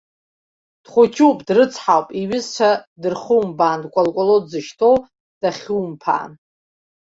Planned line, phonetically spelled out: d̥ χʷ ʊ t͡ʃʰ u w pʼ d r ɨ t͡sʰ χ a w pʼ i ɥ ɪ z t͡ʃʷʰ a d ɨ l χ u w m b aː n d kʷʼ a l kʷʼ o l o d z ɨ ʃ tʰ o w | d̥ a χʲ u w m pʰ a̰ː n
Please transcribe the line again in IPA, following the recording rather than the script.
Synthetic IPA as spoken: d̥ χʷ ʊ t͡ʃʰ u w pʼ d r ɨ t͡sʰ ħ a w pʼ i ɥ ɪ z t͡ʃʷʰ a d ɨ r χ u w m b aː n d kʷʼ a l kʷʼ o l o d z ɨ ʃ tʰ o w | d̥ a χʲ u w m pʰ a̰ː n